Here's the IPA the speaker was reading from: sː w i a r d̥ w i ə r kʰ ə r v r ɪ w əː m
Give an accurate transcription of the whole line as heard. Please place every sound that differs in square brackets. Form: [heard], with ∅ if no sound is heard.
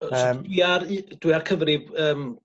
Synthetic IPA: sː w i a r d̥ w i [a] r kʰ ə [∅] v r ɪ [b] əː m